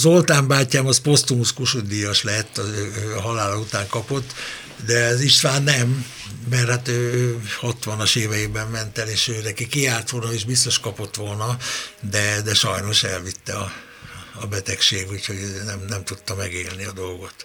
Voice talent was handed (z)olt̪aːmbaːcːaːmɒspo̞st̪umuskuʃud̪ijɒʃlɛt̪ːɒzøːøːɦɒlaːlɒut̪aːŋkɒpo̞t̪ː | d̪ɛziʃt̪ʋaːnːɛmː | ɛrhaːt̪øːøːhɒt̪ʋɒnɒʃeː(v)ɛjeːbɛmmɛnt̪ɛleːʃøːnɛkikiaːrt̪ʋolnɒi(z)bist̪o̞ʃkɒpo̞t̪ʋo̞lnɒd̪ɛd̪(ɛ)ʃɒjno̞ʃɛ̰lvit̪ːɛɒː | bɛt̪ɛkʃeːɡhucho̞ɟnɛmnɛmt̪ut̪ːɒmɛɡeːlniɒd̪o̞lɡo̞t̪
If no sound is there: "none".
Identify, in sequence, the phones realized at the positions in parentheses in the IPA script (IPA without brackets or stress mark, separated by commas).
z, v, ʒ, ɛ